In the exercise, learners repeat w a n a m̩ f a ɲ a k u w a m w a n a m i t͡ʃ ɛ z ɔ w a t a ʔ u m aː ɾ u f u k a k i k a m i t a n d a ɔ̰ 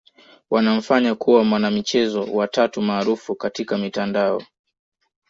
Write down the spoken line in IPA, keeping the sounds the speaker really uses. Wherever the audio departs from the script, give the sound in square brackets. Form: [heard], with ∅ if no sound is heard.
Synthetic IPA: w a n a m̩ f a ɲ a k u w a m w a n a m i t͡ʃ ɛ z ɔ w a t a [t] u m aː ɾ u f u k a [t] i k a m i t a n d a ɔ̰